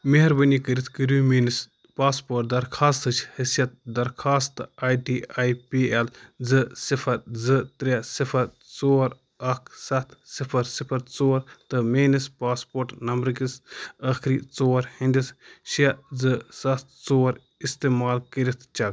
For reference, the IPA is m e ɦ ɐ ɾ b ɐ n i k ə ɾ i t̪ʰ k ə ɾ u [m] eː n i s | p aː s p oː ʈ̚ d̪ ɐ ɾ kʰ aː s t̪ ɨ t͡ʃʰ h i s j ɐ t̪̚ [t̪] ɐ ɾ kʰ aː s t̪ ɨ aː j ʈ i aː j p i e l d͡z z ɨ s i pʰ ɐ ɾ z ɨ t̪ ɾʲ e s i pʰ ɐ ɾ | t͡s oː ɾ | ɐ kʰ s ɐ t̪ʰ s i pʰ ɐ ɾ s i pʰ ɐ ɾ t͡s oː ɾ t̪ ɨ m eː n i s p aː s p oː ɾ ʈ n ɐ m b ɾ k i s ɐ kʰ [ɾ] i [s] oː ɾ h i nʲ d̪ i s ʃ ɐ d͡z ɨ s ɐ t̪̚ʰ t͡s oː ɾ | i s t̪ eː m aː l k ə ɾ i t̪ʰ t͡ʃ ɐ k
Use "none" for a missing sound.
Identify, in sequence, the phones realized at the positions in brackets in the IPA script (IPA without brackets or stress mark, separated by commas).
m, d̪, ɾ, t͡s